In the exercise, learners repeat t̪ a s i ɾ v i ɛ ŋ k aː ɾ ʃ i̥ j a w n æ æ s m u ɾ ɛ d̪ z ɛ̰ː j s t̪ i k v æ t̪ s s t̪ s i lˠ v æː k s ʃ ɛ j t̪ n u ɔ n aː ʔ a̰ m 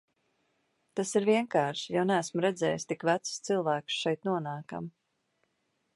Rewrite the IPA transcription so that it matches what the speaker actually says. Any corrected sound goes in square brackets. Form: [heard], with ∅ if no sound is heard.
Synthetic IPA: t̪ a s i ɾ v i ɛ ŋ k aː ɾ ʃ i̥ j a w n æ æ s m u ɾ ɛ d̪ z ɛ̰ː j s t̪ i k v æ t̪ s s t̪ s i lˠ v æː k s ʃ ɛ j t̪ n u ɔ n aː [k] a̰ m